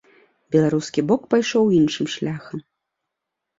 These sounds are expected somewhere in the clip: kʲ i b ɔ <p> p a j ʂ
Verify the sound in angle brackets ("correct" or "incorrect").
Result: incorrect